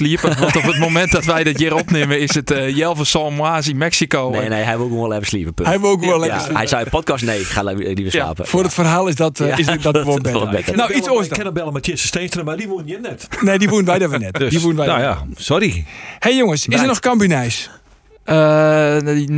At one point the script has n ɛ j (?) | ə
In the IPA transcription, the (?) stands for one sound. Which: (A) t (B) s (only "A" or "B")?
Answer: B